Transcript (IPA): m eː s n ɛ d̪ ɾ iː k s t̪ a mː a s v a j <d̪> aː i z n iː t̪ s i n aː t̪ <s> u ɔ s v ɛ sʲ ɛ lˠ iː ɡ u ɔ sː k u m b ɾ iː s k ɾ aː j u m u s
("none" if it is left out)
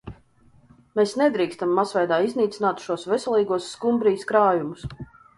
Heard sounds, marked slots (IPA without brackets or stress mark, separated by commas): d̪, ʃ